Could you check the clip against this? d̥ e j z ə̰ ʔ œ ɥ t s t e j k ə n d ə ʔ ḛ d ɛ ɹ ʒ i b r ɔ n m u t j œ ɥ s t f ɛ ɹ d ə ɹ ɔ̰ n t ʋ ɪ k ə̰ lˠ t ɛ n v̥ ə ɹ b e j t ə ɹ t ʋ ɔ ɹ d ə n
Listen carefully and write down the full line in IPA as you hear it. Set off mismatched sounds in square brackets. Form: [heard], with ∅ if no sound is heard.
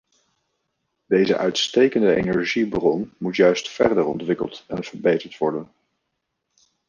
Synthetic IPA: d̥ e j z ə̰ ʔ œ ɥ t s t e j k ə n d ə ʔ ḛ [n] ɛ ɹ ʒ i b r ɔ n m u t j œ ɥ s t f ɛ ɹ d ə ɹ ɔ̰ n t ʋ ɪ k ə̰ lˠ t ɛ n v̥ ə ɹ b e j t ə ɹ t ʋ ɔ ɹ d ə n